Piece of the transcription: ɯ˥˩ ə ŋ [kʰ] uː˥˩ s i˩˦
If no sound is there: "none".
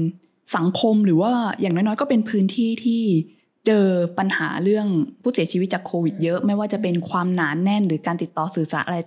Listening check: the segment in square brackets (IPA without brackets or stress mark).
pʰ